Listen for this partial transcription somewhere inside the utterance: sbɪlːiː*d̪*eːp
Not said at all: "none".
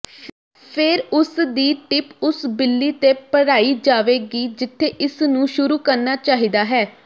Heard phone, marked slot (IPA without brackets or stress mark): t̪